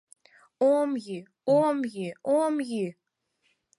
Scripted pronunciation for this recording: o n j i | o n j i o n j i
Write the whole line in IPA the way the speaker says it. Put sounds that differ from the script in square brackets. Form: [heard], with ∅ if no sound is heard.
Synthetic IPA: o [m] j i | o [m] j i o [m] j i

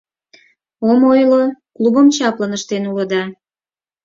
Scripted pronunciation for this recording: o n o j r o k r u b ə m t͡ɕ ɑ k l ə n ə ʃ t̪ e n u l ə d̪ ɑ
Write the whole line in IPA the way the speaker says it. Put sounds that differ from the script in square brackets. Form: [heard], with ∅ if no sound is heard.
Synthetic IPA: o [m] o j [l] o k [l] u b ə m t͡ɕ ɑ [p] l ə n ə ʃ t̪ e n u l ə d̪ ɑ

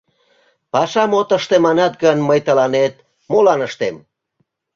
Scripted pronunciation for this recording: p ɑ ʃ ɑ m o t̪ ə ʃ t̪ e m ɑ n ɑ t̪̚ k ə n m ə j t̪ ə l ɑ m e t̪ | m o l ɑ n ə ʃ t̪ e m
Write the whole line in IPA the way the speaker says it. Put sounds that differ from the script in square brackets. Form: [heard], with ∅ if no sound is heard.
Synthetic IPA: p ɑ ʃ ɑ m o t̪ ə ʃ t̪ e m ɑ n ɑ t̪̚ [ɡ] ə n m ə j t̪ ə l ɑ [n] e t̪ | m o l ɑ n ə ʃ t̪ e m

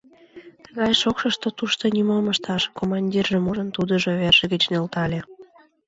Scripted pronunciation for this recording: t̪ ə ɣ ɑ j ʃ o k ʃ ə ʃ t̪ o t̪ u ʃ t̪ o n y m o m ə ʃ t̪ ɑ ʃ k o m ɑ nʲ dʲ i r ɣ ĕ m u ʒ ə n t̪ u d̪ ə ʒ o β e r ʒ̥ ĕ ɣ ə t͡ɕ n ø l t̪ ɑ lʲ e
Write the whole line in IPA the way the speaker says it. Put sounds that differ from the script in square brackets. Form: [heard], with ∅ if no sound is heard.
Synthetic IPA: t̪ ə ɣ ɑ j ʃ o k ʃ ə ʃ t̪ o t̪ u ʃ t̪ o n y m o m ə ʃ t̪ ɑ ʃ k o m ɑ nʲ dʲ i r [ʒ] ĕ m u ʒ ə n t̪ u d̪ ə ʒ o β e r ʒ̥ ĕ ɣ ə t͡ɕ n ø l t̪ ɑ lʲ e

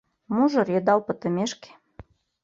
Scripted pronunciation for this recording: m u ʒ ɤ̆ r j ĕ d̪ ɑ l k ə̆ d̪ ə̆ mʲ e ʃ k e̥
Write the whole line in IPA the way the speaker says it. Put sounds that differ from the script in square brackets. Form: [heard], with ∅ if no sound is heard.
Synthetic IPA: m u ʒ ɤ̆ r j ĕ d̪ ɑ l [p] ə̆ [t̪] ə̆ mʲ e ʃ k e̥

